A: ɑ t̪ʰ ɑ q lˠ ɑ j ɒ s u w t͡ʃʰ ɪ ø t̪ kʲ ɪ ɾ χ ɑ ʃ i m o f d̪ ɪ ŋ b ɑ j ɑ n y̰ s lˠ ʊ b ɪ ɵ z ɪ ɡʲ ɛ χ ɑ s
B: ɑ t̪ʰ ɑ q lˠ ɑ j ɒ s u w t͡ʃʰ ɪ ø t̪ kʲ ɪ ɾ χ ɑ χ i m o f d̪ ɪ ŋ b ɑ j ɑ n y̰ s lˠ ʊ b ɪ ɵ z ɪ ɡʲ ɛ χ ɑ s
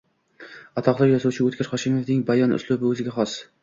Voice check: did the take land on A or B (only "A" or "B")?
A